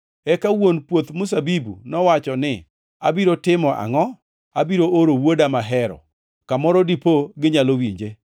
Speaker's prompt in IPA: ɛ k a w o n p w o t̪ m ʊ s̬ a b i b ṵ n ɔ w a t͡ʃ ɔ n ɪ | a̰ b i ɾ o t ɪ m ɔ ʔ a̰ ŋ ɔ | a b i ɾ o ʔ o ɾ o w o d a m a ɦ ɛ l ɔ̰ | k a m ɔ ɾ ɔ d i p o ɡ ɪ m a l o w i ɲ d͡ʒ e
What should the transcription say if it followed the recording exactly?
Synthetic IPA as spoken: ɛ k a w o n p w o t̪ m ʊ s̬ a b i b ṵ n ɔ w a t͡ʃ ɔ n ɪ | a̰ b i ɾ o t ɪ m ɔ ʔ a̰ ŋ ɔ | a b i ɾ o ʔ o ɾ o w o d a m a ɦ ɛ ɾ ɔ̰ | k a m ɔ ɾ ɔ d i p o ɡ ɪ ɲ a l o w i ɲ d͡ʒ e